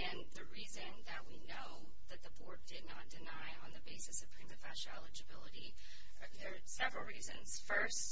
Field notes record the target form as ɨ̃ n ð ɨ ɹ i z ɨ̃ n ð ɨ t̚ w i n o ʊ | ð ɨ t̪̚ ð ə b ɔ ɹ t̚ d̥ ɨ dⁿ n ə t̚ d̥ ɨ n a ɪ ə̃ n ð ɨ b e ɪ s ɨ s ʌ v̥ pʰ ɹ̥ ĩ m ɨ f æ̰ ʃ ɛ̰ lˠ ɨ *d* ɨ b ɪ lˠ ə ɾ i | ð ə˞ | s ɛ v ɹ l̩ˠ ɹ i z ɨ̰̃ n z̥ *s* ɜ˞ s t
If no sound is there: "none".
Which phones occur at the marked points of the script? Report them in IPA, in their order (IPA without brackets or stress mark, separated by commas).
d͡ʒ, f